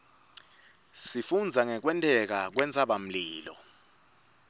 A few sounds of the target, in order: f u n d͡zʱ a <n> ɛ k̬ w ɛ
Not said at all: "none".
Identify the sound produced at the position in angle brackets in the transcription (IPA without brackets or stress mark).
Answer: ŋ